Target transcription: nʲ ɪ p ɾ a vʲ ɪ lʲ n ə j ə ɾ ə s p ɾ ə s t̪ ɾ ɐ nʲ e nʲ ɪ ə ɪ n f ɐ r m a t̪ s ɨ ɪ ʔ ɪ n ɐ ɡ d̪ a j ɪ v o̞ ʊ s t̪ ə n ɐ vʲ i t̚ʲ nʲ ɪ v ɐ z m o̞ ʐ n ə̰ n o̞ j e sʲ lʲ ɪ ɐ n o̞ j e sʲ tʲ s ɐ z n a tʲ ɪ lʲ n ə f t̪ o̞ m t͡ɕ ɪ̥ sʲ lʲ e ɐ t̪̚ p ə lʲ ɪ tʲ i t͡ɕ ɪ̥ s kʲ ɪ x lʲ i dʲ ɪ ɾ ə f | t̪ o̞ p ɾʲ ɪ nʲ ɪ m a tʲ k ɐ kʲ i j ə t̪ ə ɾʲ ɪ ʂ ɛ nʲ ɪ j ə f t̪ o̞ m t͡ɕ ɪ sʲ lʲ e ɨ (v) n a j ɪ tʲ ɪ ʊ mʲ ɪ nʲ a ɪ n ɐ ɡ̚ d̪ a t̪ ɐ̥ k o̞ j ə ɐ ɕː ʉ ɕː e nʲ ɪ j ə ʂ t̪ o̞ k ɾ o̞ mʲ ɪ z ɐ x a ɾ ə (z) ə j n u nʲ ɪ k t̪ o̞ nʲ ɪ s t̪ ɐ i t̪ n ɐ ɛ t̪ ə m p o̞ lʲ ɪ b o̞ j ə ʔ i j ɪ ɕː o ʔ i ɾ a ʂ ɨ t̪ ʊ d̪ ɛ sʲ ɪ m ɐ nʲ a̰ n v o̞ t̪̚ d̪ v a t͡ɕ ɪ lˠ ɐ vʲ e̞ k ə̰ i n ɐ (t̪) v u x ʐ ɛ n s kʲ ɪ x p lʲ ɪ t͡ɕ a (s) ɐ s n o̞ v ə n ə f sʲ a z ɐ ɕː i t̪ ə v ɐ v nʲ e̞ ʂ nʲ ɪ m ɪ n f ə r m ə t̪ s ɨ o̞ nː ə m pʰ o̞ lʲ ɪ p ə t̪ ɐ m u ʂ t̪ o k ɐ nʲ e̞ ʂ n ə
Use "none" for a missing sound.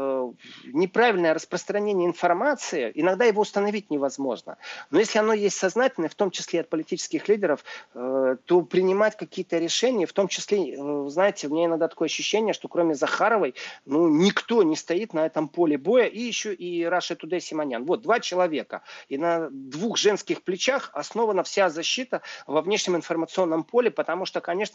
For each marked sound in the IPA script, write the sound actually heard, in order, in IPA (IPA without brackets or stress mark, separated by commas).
z, v, d̪, x